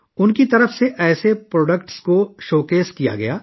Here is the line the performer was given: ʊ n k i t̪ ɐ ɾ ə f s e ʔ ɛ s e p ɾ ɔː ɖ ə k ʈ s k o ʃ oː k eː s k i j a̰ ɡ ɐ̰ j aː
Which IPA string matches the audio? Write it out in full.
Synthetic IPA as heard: ʊ n k i t̪ ɐ ɾ ə f s e ʔ ɛː s e p ɾ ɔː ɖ ə k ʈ s k o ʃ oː k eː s k i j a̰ ɡ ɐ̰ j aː